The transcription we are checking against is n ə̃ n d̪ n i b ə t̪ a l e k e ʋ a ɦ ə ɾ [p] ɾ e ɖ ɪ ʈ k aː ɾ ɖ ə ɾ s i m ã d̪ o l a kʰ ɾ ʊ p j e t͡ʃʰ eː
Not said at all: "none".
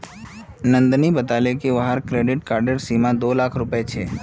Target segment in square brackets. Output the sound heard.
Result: k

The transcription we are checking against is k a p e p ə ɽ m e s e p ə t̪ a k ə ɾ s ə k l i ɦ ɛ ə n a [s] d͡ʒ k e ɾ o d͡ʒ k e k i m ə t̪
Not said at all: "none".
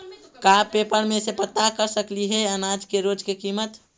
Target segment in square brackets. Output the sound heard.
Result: none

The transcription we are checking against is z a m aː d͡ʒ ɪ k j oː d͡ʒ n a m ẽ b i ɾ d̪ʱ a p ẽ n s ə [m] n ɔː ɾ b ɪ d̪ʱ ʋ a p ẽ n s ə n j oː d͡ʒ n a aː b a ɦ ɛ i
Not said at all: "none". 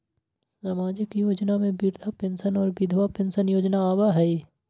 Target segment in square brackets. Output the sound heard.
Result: none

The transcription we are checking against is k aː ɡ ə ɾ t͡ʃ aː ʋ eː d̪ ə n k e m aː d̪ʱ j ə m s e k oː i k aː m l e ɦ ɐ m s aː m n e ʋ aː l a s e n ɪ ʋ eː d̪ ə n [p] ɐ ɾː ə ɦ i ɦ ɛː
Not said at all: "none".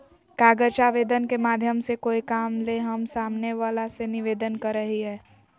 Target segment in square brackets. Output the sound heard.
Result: k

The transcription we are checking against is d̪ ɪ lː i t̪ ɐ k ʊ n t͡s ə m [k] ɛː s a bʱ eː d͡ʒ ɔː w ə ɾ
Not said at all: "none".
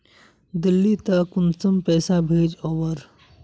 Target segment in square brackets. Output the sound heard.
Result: p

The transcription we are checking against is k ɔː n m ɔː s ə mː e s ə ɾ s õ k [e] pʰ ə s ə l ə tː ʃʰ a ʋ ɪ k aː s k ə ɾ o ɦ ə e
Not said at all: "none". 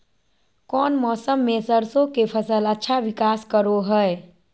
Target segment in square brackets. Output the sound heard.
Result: e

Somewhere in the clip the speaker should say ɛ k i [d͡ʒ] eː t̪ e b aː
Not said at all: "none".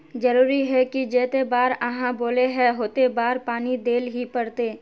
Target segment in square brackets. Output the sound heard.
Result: d͡ʒ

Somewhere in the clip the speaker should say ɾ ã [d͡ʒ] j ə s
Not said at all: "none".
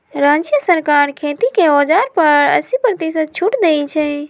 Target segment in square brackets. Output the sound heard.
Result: d͡ʒ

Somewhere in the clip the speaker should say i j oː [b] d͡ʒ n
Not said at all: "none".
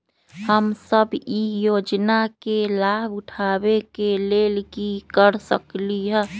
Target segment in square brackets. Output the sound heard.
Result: none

